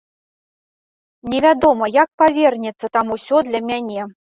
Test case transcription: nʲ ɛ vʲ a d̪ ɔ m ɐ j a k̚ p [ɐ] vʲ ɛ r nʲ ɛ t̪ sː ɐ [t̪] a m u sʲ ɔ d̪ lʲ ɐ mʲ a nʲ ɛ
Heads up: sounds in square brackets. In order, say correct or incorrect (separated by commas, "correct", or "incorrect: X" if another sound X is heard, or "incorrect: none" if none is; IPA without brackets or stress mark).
incorrect: a, correct